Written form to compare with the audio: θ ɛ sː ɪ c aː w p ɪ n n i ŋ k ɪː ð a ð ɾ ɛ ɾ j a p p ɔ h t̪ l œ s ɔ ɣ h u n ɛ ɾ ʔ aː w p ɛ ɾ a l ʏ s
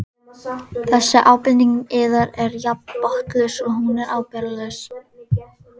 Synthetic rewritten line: θ ɛ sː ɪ ʔ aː w p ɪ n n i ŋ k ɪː ð a ɾ ɛ ɾ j a p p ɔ h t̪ l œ s ɔ ɣ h u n ɛ ɾ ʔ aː w p ɛ ɾ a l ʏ s